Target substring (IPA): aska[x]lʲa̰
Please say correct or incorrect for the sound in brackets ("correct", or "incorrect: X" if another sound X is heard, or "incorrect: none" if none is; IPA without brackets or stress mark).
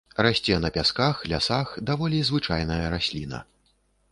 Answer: correct